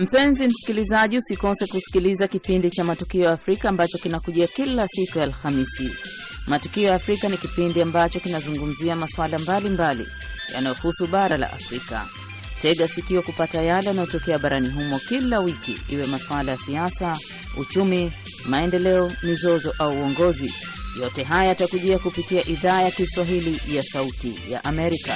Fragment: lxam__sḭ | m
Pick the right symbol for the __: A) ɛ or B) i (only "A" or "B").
B